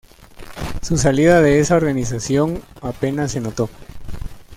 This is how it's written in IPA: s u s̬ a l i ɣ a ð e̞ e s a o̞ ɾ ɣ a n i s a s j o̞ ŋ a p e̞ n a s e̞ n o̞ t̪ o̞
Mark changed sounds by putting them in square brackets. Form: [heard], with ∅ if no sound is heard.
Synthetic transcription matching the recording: s u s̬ a l i [ð] a ð e̞ e s a o̞ ɾ ɣ a n i s a s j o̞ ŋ a p e̞ n a s e̞ n o̞ t̪ o̞

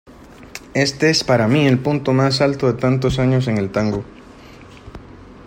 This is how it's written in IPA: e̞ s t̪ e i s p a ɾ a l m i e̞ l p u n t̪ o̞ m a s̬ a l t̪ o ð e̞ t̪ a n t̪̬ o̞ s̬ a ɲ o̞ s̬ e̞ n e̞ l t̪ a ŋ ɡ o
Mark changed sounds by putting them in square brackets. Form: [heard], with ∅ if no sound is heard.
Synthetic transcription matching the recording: e̞ s t̪ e [e] s p a ɾ a [∅] m i e̞ l p u n t̪ o̞ m a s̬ a l t̪ o ð e̞ t̪ a n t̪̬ o̞ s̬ a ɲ o̞ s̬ e̞ [ŋ] e̞ l t̪ a ŋ ɡ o

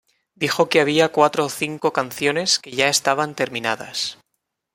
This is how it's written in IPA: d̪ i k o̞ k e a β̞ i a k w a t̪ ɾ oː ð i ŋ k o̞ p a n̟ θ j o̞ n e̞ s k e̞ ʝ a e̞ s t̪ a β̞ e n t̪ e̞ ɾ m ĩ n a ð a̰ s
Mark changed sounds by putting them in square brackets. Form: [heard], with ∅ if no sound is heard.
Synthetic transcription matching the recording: d̪ i [x] o̞ k e a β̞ i a k w a t̪ ɾ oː [θ] i ŋ k o̞ [k] a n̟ θ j o̞ n e̞ s k e̞ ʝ a e̞ s t̪ a β̞ [a] n t̪ e̞ ɾ m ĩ n a ð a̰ s

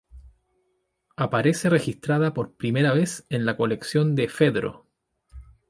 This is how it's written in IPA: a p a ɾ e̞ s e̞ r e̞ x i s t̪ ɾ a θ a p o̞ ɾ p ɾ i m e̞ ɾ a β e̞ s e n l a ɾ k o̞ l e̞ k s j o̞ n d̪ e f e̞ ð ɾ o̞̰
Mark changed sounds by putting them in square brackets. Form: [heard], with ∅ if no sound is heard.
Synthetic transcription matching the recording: a p a ɾ e̞ s e̞ r e̞ x i s t̪ ɾ a [ð] a p o̞ ɾ p ɾ i m e̞ ɾ a β e̞ s e n l a [∅] k o̞ l e̞ k s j o̞ n d̪ e f e̞ ð ɾ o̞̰

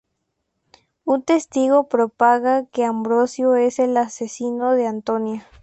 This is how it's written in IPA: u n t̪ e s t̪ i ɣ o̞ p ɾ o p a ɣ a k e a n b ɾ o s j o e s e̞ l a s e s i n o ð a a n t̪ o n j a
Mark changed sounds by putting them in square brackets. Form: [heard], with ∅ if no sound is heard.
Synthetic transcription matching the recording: u n t̪ e s t̪ i ɣ o̞ p ɾ o p a ɣ a k e a [m] b ɾ o s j o e s e̞ l a s e s i n o ð [e] a n t̪ o n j a

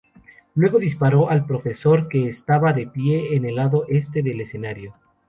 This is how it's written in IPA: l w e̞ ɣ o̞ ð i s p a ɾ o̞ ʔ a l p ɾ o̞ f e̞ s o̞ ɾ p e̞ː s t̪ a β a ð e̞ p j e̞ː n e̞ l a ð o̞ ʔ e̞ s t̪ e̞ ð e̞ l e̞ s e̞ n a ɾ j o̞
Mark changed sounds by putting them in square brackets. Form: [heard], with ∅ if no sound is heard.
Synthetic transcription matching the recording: l w e̞ ɣ o̞ ð i s p a ɾ o̞ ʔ a l p ɾ o̞ f e̞ s o̞ ɾ [k] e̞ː s t̪ a β a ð e̞ p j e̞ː n e̞ l a ð o̞ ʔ e̞ s t̪ e̞ ð e̞ l e̞ s e̞ n a ɾ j o̞

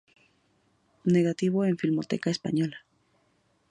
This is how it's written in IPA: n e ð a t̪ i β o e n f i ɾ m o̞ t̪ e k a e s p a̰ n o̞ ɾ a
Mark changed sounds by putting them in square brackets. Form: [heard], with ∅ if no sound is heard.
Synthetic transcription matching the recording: n e [ɣ] a t̪ i β o e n f i [l] m o̞ t̪ e k a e s p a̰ [ɲ] o̞ [l] a

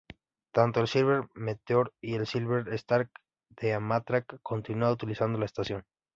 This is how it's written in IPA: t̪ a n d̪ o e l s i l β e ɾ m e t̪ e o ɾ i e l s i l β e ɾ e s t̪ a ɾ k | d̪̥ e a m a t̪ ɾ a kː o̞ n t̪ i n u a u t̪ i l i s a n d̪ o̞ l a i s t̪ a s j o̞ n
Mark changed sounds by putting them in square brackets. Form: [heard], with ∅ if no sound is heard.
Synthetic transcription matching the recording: t̪ a n [t̪] o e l s i l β e ɾ m e t̪ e o ɾ i e l s i l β e ɾ e s t̪ a ɾ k | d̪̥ e a m a t̪ ɾ a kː o̞ n t̪ i n u a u t̪ i l i s a n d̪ o̞ l a [e] s t̪ a s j o̞ n

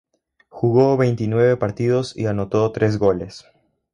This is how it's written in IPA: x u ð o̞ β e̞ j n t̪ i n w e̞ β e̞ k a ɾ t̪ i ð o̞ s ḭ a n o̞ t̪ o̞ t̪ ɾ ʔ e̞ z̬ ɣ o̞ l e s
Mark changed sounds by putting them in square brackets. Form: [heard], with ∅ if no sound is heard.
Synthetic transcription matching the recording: x u [ɣ] o̞ β e̞ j n t̪ i n w e̞ β e̞ [p] a ɾ t̪ i ð o̞ s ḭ a n o̞ t̪ o̞ t̪ ɾ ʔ e̞ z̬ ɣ o̞ l e s

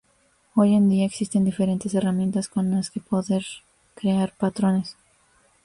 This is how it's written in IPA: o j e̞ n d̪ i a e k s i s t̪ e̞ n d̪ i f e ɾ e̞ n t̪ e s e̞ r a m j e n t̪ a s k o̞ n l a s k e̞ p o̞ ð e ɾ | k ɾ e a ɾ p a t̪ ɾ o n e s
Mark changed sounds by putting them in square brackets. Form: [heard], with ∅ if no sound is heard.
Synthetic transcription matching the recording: o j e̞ n d̪ i a e k s i s t̪ e̞ n d̪ i f e ɾ e̞ n t̪ e s e̞ r a m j e n t̪ a s k o̞ n l a s k e̞ p o̞ ð e ɾ | k ɾ e a ɾ p a t̪ ɾ o n e s

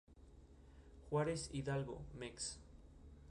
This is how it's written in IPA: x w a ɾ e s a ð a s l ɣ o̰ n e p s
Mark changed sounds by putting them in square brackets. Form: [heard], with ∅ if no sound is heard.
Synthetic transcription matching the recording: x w a ɾ e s [i] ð a [∅] l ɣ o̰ [m] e [k] s

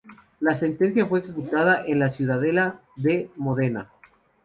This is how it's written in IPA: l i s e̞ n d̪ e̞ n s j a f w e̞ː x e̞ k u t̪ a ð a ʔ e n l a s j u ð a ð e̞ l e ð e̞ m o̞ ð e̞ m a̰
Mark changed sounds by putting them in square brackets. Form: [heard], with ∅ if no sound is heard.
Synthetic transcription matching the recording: l [a] s e̞ n [t̪] e̞ n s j a f w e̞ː x e̞ k u t̪ a ð a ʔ e n l a s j u ð a ð e̞ l [a] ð e̞ m o̞ ð e̞ [n] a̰

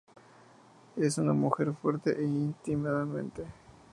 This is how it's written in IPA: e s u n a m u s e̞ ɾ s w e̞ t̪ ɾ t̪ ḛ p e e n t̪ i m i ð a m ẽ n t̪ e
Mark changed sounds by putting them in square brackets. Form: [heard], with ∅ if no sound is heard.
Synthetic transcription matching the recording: e s u n a m u [x] e̞ ɾ [f] w e̞ [∅] ɾ t̪ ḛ [ʔ] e [i] n t̪ i m [a] ð a m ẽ n t̪ e

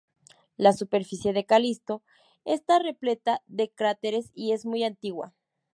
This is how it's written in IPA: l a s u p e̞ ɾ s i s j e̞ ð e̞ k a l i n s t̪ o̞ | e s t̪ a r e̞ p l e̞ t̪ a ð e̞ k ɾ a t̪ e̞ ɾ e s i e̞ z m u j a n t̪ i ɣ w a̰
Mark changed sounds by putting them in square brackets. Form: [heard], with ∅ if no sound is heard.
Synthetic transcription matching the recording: l a s u p e̞ ɾ [f] i s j e̞ ð e̞ k a l i [∅] s t̪ o̞ | e s t̪ a r e̞ p l e̞ t̪ a ð e̞ k ɾ a t̪ e̞ ɾ e s i e̞ z m u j a n t̪ i ɣ w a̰

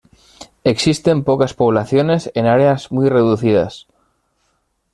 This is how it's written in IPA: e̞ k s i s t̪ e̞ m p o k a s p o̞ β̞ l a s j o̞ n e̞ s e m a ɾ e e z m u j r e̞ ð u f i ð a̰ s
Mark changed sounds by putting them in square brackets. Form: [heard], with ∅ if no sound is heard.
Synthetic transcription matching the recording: e̞ k s i s t̪ e̞ m p o k a s p o̞ β̞ l a [θ] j o̞ n e̞ s e [n] a ɾ e [a] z m u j r e̞ ð u [θ] i ð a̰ s

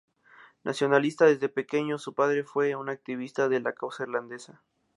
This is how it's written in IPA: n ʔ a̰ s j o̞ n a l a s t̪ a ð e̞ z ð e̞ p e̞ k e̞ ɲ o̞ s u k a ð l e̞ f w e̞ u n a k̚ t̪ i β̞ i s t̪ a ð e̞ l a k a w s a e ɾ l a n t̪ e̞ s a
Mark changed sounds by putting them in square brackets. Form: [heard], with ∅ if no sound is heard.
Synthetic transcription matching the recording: n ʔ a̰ s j o̞ n a l [i] s t̪ a ð e̞ z ð e̞ p e̞ k e̞ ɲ o̞ s u [p] a ð [ɾ] e̞ f w e̞ u n a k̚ t̪ i β̞ i s t̪ a ð e̞ l a k a w s a e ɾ l a n [d̪] e̞ s a

